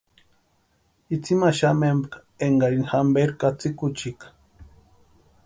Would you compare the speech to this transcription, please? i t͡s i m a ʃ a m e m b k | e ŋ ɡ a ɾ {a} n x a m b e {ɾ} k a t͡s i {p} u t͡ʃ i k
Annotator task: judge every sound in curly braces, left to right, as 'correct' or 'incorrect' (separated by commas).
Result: incorrect, correct, incorrect